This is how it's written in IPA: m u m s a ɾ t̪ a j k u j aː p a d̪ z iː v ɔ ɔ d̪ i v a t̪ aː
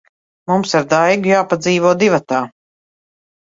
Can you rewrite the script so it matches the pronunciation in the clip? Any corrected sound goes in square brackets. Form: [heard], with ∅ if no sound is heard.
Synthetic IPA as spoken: m u m s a ɾ [d̪] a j [ɡ] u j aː p a d̪ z iː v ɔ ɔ d̪ i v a t̪ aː